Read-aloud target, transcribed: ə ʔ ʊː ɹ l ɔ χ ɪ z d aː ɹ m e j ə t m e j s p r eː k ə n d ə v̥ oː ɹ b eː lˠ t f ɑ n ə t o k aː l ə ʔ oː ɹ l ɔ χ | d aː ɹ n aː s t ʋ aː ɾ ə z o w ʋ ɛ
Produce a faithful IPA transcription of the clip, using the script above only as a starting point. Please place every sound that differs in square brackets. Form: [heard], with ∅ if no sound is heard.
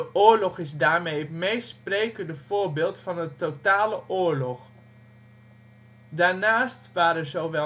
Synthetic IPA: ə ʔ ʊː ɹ l ɔ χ ɪ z d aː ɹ m e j ə t m e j s p r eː k ə n d ə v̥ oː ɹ b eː lˠ t f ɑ n ə t o [t] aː l ə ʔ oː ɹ l ɔ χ | d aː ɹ n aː s t ʋ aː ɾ ə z o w ʋ ɛ